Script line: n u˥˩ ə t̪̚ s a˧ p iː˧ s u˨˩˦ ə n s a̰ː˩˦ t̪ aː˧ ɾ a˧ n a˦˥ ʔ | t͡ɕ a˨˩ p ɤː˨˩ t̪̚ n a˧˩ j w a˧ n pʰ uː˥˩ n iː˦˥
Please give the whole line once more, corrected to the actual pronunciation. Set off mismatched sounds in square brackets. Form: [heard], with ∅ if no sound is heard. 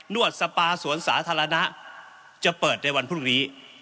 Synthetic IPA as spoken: n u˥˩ ə t̪̚ s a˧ p [aː˧] s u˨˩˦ ə n s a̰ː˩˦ [t̪ʰ] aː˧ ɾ a˧ n a˦˥ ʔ | t͡ɕ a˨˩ p ɤː˨˩ t̪̚ n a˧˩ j w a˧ n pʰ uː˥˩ n iː˦˥